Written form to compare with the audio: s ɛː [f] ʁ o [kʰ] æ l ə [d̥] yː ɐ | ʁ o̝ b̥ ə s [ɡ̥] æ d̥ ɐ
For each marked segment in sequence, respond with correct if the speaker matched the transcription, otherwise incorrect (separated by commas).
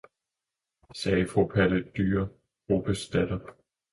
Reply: correct, incorrect, correct, incorrect